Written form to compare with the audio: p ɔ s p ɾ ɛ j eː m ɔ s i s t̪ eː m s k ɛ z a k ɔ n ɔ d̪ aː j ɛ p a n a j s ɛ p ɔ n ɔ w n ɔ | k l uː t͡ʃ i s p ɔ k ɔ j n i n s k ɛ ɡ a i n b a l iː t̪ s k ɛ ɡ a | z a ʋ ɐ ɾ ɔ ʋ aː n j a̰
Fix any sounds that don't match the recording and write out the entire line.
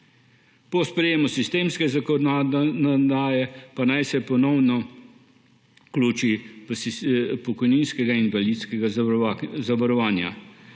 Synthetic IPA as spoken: p ɔ s p ɾ ɛ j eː m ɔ s i s t̪ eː m s k ɛ z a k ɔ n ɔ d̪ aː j ɛ p a n a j s ɛ p ɔ n ɔ w n ɔ | k l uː t͡ʃ i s p ɔ k ɔ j n i n s k ɛ ɡ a i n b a l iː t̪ s k ɛ ɡ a | z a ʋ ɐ ɾ ɔ ʋ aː n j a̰